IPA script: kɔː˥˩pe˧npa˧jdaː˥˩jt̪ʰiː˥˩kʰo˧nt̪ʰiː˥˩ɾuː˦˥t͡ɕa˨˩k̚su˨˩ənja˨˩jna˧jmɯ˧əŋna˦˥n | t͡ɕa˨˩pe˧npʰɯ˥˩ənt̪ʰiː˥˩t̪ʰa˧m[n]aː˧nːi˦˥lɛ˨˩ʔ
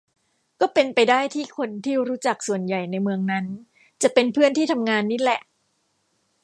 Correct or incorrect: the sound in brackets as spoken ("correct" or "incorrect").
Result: incorrect